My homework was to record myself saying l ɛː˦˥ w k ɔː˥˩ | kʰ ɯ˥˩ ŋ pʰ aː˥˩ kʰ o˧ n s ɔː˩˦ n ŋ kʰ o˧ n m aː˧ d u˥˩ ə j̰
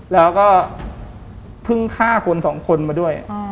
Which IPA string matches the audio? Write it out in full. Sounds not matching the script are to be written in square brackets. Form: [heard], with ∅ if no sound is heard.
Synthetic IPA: l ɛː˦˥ w k ɔː˥˩ | [pʰ] ɯ˥˩ ŋ [kʰ] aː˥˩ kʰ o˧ n s ɔː˩˦ [∅] ŋ kʰ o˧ n m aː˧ d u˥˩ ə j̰